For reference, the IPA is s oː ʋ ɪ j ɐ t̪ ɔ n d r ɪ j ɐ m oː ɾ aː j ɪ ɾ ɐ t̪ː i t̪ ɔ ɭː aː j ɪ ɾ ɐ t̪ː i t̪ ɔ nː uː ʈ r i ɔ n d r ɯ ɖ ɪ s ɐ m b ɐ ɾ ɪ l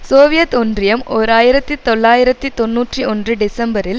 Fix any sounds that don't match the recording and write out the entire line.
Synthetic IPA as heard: s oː ʋ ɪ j ɐ t̪ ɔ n d r ɪ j ɐ m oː ɾ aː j ɪ ɾ ɐ t̪ː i t̪ ɔ ɭː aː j ɪ ɾ ɐ t̪ː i t̪ ɔ nː uː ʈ r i ɔ n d r ɯ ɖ ɪ s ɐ m b ɐ ɾ ɪ l